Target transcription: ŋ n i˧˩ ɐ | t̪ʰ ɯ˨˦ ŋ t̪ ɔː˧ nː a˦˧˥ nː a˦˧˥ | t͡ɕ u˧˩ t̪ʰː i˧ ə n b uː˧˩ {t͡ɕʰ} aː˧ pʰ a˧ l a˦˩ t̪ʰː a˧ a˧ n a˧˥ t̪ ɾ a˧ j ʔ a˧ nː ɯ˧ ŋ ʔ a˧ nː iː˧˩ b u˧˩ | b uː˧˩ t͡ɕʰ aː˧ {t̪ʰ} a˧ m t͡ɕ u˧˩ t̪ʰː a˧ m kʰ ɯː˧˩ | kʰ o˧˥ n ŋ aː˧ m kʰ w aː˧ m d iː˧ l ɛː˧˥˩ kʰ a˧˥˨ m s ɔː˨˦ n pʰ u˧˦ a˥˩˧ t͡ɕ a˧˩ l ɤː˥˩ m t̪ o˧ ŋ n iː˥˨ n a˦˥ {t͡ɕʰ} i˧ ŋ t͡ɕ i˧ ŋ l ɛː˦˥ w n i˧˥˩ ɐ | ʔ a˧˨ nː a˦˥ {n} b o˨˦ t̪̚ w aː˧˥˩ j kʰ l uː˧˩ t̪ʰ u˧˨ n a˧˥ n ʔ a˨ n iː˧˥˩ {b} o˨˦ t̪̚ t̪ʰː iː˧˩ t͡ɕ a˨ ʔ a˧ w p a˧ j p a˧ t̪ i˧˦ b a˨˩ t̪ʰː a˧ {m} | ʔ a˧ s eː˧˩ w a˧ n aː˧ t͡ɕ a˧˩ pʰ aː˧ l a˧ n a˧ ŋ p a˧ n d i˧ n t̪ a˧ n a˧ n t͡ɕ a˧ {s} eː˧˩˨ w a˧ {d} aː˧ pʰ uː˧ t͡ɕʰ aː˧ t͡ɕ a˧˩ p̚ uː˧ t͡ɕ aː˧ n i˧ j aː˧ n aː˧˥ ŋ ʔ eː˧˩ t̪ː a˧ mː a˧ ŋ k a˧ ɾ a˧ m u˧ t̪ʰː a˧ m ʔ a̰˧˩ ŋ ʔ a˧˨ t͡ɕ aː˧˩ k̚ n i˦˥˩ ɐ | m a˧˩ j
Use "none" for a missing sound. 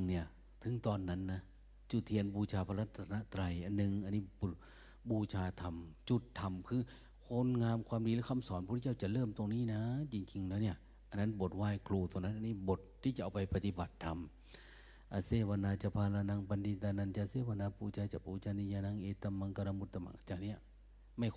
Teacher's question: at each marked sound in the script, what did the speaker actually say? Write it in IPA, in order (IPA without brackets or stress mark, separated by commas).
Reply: t͡ɕʰ, t̪ʰ, t͡ɕ, n, b, m, s, n